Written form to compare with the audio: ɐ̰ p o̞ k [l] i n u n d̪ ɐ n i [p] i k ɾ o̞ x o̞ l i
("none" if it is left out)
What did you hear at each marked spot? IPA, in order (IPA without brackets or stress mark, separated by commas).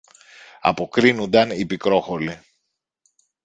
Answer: ɾ, p